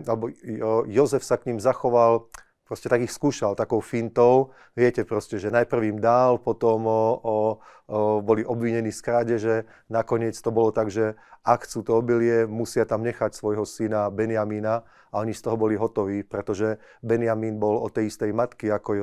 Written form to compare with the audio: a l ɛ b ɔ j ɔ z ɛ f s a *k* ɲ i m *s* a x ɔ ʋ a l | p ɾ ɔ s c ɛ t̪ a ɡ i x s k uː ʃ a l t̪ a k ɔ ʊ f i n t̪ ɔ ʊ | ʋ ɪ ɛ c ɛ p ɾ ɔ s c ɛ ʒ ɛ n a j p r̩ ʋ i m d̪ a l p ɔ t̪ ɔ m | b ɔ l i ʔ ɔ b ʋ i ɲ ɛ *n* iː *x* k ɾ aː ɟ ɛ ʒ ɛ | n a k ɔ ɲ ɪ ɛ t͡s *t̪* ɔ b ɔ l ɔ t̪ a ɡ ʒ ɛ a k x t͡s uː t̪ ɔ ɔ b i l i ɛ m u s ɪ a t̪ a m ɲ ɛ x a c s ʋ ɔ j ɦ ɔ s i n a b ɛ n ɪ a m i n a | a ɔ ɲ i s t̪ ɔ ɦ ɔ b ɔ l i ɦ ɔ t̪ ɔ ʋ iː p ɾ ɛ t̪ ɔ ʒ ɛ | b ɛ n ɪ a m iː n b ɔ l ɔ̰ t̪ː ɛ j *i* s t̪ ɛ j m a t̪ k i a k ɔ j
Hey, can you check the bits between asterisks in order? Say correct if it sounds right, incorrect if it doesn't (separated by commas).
correct, incorrect, correct, incorrect, correct, correct